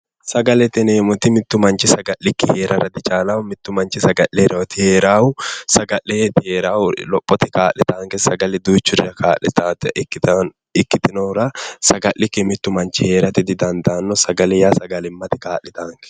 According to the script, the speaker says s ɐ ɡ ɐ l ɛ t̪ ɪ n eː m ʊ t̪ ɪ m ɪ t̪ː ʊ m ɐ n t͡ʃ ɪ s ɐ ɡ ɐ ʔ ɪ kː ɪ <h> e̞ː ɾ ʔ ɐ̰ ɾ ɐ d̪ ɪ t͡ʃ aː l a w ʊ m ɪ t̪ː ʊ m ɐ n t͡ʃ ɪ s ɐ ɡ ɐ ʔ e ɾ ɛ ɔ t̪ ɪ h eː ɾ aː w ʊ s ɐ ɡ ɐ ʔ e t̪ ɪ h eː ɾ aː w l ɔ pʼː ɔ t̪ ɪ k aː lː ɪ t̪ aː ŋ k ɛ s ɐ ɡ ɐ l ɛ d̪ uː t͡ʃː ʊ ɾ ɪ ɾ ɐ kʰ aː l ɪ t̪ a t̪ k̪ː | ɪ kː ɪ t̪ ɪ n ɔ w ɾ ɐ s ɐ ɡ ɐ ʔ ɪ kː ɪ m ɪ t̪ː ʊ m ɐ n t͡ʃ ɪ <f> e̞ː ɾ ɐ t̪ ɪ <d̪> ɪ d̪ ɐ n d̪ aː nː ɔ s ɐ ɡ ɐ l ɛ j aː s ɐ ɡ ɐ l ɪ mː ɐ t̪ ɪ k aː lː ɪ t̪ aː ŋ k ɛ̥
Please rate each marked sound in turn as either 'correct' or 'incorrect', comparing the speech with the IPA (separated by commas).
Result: correct, incorrect, correct